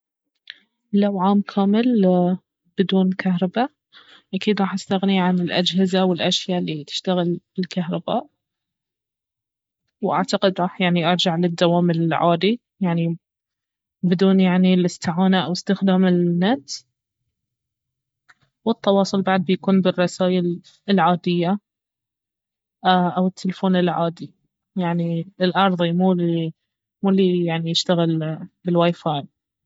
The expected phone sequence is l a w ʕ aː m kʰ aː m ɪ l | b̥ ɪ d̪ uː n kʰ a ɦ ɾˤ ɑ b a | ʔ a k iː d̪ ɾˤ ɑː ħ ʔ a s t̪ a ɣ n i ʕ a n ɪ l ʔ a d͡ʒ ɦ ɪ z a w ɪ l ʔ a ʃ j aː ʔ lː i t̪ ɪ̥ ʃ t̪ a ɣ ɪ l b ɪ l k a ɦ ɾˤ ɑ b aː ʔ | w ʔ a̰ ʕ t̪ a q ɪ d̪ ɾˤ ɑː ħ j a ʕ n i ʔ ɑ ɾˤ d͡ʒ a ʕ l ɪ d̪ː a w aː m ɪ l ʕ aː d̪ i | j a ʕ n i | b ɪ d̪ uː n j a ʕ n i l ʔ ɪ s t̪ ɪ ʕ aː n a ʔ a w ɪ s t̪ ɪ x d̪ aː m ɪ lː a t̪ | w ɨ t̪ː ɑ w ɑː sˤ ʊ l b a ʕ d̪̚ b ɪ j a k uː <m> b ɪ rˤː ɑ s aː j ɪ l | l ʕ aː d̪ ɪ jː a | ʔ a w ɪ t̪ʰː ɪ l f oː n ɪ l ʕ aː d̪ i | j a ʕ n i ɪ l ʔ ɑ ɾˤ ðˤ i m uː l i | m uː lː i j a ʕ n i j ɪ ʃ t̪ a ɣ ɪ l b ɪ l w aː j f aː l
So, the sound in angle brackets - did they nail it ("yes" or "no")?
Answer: no